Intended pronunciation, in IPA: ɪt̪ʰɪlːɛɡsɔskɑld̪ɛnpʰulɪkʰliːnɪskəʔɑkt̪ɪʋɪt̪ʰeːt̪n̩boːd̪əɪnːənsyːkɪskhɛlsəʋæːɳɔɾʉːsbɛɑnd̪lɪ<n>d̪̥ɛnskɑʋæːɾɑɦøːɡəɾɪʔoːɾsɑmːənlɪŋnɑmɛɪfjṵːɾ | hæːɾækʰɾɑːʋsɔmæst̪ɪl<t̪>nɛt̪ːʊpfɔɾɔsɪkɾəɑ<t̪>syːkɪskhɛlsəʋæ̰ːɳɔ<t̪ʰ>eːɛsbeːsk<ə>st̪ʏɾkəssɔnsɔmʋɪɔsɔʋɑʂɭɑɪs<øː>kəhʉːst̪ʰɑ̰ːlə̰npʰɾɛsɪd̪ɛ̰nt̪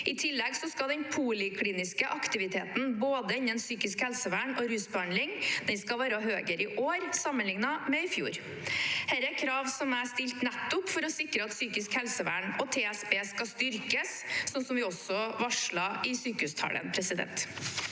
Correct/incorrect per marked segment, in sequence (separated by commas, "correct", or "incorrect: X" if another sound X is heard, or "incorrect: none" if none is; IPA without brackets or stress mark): incorrect: ŋ, correct, correct, correct, incorrect: ɑ, incorrect: yː